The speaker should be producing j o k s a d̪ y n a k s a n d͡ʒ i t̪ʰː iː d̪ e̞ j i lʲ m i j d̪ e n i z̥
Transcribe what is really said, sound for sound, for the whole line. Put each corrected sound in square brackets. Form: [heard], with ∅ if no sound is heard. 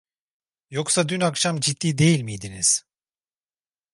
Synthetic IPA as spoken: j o k s a d̪ y n a k [ʃ] a [m] d͡ʒ i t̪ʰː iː d̪ e̞ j i lʲ m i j d̪ [i] n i z̥